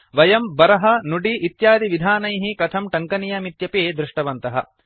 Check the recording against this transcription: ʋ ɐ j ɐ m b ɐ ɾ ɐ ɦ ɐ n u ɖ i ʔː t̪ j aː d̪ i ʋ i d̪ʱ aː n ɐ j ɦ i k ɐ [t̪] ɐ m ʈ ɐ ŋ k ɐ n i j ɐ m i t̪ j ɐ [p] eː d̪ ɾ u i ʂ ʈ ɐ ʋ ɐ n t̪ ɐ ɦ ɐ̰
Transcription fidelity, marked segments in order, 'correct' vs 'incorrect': incorrect, correct

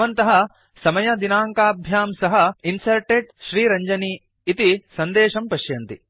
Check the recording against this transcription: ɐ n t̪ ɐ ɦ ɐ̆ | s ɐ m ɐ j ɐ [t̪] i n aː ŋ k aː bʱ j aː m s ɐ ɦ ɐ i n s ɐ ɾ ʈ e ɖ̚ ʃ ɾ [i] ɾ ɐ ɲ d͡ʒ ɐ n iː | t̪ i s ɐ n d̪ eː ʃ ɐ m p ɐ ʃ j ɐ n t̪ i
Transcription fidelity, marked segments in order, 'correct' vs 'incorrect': incorrect, incorrect

